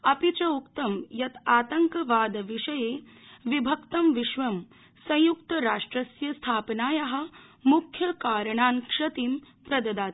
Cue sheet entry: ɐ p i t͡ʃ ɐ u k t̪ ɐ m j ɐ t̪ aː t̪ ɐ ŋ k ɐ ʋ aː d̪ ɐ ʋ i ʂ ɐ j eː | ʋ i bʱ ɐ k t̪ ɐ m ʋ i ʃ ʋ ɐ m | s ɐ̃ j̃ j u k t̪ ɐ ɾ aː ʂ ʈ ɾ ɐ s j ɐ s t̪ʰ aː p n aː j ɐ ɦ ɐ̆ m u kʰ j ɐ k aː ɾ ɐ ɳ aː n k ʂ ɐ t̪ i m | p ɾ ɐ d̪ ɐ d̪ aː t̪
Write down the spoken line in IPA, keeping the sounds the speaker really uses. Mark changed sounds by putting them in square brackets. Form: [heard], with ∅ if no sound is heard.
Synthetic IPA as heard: ɐ p i t͡ʃ ɐ u k t̪ ɐ m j ɐ t̪ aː t̪ ɐ ŋ k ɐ ʋ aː d̪ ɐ ʋ i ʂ ɐ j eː | ʋ i bʱ ɐ k t̪ ɐ m ʋ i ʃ ʋ ɐ m | s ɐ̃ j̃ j u k t̪ ɐ ɾ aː ʂ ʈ ɾ ɐ s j ɐ s t̪ʰ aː p n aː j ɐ ɦ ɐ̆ m u kʰ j ɐ k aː ɾ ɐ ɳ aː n k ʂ ɐ t̪ i m | p ɾ ɐ d̪ ɐ d̪ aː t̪